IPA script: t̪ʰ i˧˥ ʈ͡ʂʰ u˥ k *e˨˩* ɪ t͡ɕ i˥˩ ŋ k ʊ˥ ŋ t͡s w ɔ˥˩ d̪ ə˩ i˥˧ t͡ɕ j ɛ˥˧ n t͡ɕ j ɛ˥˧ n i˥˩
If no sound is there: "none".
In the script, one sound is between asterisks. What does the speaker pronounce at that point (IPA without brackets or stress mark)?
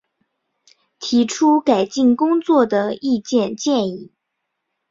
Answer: a˨˩